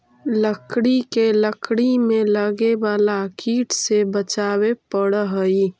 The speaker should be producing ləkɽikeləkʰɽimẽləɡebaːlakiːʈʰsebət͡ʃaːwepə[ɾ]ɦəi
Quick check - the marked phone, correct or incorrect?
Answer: incorrect